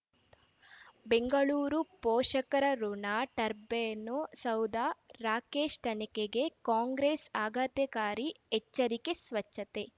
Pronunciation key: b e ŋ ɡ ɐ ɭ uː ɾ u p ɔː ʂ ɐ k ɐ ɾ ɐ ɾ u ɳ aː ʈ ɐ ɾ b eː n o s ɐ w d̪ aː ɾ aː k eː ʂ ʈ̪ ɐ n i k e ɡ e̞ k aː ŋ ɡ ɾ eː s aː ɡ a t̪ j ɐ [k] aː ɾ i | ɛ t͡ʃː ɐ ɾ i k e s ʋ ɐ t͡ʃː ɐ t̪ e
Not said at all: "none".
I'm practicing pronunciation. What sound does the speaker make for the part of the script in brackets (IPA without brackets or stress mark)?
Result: k